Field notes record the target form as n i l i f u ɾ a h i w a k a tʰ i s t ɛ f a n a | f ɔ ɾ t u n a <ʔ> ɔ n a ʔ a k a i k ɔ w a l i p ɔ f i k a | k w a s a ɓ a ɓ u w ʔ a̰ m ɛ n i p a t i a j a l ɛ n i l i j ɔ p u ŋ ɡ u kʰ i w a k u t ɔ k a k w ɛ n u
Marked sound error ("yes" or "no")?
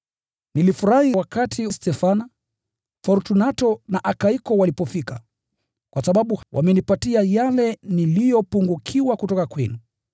yes